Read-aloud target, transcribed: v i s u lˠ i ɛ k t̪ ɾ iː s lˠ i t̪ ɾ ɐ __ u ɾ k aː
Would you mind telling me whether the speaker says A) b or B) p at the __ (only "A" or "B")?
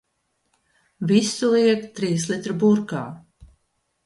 A